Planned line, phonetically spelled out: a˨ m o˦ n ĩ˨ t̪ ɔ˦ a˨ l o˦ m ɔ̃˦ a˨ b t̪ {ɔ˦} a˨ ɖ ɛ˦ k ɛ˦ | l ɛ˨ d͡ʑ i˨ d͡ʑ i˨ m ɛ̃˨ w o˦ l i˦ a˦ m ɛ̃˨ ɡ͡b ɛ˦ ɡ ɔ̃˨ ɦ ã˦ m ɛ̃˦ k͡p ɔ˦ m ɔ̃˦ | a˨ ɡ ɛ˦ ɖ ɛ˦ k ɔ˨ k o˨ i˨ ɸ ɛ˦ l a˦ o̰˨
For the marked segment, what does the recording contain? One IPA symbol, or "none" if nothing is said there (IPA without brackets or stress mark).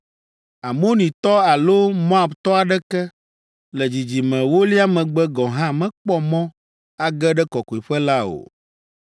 ɔ˦